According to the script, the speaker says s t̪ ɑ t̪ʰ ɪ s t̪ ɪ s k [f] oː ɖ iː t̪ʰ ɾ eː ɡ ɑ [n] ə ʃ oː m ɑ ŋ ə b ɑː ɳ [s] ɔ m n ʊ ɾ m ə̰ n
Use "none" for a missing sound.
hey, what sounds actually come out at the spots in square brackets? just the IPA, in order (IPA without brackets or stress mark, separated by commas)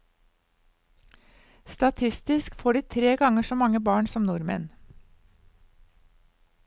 f, ŋ, s